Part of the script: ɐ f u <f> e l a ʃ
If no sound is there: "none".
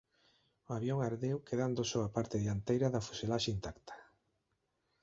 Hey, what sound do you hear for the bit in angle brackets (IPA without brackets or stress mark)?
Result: s